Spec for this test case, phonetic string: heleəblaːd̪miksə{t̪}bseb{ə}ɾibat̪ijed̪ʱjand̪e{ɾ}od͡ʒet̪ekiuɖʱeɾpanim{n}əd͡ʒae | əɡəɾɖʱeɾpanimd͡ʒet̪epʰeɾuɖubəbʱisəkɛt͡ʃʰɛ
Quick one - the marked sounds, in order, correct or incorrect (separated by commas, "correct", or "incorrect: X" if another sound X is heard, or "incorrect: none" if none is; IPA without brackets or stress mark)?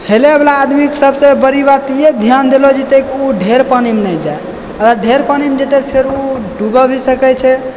incorrect: none, correct, incorrect: l, correct